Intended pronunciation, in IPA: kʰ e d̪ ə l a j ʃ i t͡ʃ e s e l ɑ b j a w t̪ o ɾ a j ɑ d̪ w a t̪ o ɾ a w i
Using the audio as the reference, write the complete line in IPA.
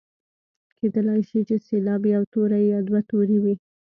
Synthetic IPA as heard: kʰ e d̪ ə l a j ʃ i t͡ʃ e s e l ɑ b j a w t̪ o ɾ a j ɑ d̪ w a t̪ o ɾ i w i